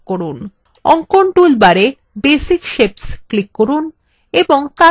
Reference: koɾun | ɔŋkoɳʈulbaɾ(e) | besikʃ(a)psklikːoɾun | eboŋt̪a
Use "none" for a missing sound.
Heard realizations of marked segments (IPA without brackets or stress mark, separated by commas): e, e